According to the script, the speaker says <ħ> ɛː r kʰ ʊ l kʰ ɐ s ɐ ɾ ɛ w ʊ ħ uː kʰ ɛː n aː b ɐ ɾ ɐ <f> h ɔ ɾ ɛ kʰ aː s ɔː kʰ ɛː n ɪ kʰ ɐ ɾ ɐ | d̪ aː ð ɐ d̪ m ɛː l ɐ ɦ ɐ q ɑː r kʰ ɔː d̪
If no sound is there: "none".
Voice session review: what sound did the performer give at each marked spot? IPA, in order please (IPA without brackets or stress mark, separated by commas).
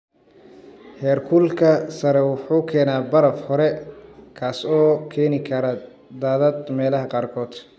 h, f